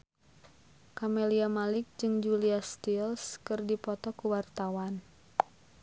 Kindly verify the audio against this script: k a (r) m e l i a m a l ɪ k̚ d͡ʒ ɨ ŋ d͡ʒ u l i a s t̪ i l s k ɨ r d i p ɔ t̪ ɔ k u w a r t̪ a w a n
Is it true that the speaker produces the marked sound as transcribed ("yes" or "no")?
no